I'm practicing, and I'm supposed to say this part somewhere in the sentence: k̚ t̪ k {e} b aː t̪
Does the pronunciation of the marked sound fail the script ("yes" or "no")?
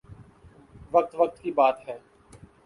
yes